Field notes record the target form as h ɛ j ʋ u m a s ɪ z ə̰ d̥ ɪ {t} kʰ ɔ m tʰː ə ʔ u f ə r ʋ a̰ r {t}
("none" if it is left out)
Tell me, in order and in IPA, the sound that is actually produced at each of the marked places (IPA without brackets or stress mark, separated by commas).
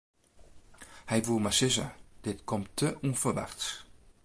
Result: t, t